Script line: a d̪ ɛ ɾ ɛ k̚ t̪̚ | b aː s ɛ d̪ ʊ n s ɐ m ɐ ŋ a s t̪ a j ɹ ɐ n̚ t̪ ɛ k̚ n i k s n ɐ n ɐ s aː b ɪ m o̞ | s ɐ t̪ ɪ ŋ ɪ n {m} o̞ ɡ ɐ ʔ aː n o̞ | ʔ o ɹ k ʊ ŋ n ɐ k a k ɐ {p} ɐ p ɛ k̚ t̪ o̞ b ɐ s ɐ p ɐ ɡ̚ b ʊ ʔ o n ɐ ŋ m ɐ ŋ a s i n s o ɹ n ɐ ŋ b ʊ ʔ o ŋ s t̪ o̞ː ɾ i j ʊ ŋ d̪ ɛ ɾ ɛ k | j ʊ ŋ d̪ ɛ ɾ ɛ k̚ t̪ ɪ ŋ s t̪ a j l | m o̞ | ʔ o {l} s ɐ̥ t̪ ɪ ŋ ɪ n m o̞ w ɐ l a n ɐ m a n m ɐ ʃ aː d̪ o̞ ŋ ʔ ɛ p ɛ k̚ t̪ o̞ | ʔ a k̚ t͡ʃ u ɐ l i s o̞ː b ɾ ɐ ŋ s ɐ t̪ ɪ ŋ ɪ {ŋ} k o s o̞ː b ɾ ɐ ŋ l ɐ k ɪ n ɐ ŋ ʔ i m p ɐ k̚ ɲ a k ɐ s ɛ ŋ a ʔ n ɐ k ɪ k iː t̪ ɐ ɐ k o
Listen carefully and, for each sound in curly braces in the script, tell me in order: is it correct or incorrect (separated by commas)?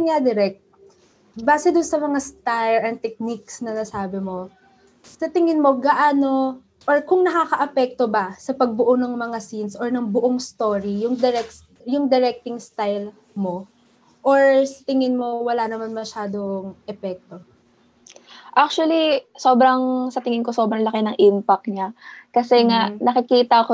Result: correct, incorrect, incorrect, incorrect